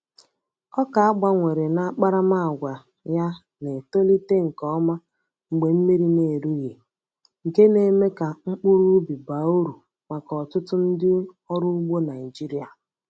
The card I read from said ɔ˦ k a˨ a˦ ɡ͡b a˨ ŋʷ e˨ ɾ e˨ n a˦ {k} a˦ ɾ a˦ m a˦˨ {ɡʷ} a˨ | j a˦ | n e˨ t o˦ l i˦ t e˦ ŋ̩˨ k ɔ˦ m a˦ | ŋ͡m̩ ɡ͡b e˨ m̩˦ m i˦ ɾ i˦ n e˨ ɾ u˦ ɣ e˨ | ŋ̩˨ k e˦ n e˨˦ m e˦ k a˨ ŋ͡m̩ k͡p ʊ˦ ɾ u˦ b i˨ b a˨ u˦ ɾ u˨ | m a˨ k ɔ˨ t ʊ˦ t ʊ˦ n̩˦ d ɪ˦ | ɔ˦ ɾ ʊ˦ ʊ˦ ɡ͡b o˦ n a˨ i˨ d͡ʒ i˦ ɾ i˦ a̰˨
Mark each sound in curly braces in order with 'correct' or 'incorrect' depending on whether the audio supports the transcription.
incorrect: k͡p, correct

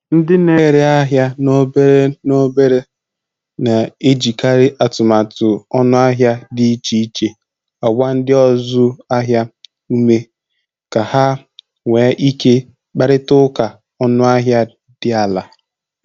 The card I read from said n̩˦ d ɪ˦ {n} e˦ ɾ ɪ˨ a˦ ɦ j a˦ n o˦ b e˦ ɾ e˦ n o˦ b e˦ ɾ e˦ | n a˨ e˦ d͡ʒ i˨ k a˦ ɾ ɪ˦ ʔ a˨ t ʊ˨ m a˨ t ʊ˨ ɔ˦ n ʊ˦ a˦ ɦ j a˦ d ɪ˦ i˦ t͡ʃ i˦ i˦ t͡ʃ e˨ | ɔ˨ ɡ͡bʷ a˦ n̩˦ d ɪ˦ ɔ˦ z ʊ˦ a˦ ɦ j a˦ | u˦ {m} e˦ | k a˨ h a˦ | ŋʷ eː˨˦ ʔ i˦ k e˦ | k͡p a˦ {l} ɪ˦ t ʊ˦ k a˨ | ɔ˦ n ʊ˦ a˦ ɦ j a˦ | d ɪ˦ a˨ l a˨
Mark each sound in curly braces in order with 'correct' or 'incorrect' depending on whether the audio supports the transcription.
correct, correct, incorrect: ɾ

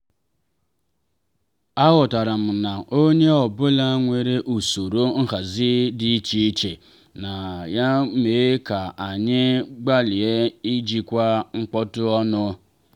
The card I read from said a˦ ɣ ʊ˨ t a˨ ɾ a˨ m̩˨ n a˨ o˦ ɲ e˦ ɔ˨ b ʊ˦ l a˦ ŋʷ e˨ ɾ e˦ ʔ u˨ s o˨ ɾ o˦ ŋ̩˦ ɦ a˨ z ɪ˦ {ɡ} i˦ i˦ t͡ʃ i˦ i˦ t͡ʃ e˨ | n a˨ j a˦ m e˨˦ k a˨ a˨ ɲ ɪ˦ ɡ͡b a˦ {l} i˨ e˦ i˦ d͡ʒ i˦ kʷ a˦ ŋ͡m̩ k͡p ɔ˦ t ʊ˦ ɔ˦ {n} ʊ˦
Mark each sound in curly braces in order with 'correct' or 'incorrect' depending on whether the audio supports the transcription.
incorrect: d, correct, correct

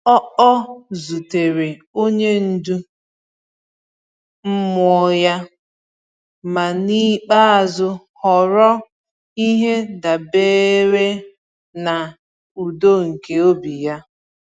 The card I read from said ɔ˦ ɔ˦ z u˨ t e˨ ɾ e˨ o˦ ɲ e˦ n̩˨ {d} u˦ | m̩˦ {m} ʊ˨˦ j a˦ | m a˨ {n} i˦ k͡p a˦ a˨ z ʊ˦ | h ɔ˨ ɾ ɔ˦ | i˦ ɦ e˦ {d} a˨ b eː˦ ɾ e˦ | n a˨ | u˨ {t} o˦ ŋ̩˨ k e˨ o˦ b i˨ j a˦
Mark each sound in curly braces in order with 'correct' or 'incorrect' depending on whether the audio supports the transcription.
correct, correct, correct, correct, incorrect: d

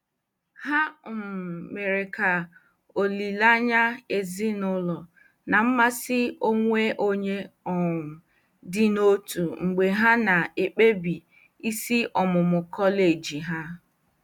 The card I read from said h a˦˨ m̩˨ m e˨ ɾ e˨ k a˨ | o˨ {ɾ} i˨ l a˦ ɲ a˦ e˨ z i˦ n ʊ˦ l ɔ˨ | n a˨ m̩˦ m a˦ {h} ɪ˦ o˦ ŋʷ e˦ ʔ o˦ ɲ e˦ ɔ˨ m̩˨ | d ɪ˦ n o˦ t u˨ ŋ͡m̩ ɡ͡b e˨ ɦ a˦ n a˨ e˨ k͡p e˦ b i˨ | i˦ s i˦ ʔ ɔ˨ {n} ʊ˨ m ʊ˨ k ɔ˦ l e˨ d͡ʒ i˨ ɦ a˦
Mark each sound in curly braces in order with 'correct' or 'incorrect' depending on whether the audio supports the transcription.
incorrect: l, incorrect: s, incorrect: m

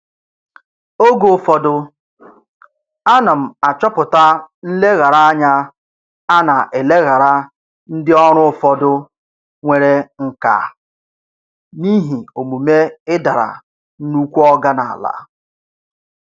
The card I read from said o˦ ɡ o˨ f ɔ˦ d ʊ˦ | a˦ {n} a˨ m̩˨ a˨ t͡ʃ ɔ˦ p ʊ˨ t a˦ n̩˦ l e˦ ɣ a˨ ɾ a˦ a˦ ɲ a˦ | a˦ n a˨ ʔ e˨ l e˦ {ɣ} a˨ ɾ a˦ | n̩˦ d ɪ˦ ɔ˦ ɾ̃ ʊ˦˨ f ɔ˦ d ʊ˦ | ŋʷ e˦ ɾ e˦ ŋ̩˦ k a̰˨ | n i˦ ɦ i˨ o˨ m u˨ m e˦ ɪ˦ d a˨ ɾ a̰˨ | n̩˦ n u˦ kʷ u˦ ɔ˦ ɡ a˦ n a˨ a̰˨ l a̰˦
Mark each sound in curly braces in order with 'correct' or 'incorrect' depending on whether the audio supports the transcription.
correct, correct

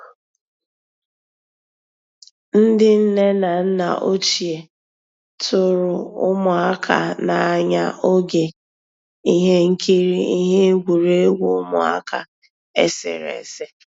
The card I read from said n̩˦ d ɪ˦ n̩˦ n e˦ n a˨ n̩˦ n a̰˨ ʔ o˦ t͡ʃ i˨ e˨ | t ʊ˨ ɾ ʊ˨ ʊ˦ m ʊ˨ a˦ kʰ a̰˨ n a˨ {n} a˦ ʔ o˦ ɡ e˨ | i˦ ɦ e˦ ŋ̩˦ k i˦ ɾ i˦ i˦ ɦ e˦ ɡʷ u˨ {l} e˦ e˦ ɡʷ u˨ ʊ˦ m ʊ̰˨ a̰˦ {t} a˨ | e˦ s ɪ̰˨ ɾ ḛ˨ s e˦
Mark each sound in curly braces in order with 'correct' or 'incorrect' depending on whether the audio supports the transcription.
incorrect: ɲ, incorrect: ɾ, incorrect: k

